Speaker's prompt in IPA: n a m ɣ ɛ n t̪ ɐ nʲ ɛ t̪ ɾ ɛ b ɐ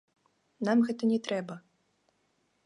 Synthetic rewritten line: n a m ɣ ɛ t̪ ɐ nʲ ɛ t̪ ɾ ɛ b ɐ